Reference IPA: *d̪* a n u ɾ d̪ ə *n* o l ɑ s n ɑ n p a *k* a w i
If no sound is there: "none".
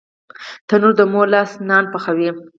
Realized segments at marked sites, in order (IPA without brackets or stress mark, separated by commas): t̪, m, x